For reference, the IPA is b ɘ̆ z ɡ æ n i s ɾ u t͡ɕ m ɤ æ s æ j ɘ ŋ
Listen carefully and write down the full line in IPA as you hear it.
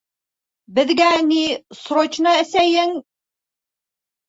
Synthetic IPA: b ɘ̆ ð ɡ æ n i s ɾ o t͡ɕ n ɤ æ s æ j ɘ ŋ